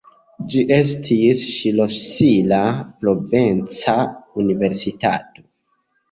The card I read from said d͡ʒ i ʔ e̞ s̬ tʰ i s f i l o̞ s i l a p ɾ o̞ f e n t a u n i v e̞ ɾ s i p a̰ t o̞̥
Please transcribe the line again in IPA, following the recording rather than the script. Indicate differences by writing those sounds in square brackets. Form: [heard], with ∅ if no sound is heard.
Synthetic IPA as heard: d͡ʒ i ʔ e̞ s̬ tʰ i s [ʃ] i l o̞ s i l a p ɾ o̞ [v] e n [t͡s] a u n i v e̞ ɾ s i [t] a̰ t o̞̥